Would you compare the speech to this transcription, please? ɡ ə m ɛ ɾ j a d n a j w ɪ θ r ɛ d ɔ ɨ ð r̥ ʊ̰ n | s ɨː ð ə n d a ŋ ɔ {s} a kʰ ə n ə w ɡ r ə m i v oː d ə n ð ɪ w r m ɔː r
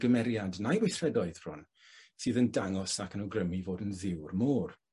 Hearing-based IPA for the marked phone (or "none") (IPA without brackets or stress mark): s